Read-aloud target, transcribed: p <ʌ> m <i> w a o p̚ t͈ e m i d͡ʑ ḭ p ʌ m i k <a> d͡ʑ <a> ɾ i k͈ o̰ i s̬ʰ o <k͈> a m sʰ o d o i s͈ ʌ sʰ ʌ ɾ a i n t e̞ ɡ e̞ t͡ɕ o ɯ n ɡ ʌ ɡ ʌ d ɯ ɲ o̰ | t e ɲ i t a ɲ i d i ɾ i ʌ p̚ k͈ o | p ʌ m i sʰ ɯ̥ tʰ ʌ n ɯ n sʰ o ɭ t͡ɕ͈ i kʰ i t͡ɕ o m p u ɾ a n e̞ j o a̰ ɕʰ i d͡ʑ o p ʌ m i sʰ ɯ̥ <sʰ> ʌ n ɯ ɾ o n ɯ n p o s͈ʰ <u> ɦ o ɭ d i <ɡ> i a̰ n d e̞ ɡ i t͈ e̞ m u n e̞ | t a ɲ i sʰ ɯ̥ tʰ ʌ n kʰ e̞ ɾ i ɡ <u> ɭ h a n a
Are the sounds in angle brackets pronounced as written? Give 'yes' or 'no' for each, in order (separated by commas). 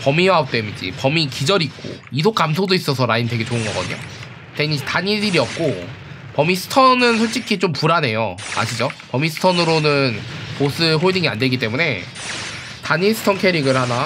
yes, yes, no, no, yes, no, no, no, no